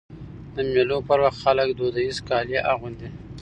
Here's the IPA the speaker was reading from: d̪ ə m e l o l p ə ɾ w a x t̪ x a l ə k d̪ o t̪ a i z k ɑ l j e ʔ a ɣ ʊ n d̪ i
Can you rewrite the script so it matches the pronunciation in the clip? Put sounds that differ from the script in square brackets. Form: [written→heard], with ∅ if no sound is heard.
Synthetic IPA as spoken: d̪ ə m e l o [l→∅] p ə ɾ w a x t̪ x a l ə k d̪ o [t̪→d̪] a i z k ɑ l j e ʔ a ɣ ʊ n d̪ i